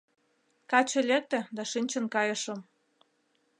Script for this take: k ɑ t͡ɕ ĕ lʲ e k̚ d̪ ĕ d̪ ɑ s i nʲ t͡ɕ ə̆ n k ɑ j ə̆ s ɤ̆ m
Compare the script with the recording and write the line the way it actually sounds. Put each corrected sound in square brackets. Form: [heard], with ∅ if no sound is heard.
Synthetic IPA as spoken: k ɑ t͡ɕ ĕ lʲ e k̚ [t̪] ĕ d̪ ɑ [ʃ] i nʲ t͡ɕ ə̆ n k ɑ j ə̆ [ʃ] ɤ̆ m